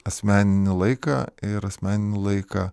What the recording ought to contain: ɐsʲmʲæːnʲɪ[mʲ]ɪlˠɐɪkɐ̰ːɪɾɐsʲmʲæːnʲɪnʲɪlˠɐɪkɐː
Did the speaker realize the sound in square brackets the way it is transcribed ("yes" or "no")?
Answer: no